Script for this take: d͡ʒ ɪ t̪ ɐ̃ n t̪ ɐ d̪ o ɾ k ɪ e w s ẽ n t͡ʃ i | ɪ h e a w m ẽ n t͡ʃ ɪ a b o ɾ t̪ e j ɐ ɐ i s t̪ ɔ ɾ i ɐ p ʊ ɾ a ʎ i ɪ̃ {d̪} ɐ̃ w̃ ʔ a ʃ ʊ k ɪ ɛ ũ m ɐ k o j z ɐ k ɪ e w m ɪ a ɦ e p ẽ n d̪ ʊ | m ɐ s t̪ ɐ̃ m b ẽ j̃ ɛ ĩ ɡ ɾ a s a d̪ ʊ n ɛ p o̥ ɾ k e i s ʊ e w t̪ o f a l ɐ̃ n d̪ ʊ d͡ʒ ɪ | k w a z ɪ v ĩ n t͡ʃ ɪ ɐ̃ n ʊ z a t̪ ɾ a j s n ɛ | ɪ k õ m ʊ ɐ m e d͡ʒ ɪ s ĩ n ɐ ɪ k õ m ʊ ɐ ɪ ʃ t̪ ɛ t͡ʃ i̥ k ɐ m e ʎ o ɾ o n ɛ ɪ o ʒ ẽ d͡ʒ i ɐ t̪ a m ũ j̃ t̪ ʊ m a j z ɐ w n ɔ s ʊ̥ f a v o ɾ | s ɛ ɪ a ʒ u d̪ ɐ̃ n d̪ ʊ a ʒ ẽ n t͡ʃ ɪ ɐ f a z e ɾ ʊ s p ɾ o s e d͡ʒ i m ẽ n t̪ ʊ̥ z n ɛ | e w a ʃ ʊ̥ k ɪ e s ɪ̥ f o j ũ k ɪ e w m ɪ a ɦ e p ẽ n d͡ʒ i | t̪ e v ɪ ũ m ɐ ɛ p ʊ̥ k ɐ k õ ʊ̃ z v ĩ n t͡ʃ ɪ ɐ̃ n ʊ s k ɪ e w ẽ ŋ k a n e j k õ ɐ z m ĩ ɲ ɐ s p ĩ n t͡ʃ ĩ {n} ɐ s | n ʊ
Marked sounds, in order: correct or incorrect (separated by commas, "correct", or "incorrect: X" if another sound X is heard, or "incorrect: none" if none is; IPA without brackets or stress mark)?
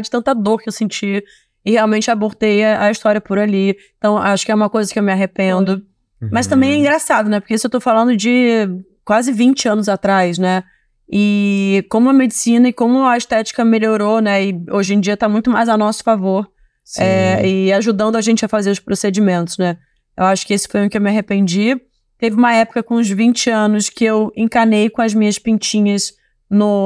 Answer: incorrect: t̪, incorrect: ɲ